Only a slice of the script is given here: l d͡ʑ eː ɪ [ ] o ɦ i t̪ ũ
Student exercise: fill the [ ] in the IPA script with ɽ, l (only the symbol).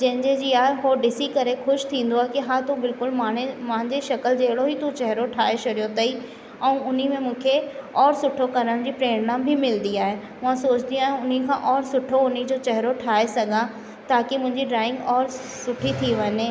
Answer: ɽ